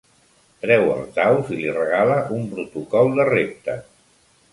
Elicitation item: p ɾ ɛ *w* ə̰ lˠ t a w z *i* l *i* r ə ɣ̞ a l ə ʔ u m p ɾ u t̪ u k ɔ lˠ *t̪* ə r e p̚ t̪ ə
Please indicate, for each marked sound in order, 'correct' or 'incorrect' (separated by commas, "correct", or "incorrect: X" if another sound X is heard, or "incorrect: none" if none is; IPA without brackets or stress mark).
correct, correct, correct, incorrect: d̪